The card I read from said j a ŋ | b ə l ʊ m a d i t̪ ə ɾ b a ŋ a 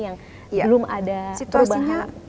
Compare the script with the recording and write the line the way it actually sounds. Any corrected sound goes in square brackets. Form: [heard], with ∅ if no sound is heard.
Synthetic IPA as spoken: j a ŋ | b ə l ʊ m a d [a] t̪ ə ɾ b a [ɲ] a